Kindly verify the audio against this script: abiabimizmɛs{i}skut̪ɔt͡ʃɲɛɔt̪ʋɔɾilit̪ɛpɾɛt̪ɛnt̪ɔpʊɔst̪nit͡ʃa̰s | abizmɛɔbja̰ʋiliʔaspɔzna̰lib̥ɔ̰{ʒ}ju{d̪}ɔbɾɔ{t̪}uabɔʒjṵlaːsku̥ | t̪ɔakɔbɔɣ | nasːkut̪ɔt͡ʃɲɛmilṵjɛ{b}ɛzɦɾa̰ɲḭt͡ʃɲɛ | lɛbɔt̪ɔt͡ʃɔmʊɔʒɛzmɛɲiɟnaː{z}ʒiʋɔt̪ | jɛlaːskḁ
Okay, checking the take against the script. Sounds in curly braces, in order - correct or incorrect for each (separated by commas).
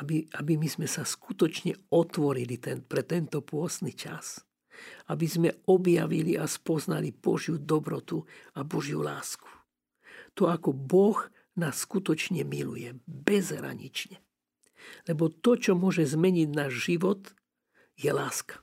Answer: incorrect, correct, correct, correct, correct, incorrect